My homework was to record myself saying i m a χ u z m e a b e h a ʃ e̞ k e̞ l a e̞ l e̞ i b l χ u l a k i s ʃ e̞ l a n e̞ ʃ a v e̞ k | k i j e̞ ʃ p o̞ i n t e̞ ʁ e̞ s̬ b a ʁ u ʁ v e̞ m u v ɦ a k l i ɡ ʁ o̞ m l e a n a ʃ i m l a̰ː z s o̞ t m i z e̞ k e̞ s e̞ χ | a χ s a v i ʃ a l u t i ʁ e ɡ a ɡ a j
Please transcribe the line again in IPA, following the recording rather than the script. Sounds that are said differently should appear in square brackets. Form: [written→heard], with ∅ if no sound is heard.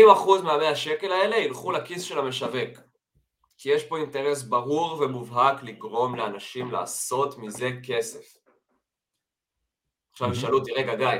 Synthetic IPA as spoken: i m a χ u z m e a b e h a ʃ e̞ k e̞ l a e̞ l e̞ i [b→∅] l χ u l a k i s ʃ e̞ l a [n→m] e̞ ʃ a v e̞ k | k i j e̞ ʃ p o̞ i n t e̞ ʁ e̞ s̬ b a ʁ u ʁ v e̞ m u v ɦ a k l i ɡ ʁ o̞ m l e a n a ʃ i m l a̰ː [z→∅] s o̞ t m i z e̞ k e̞ s e̞ [χ→f] | a χ [s→ʃ] a v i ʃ a l u t i ʁ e ɡ a ɡ a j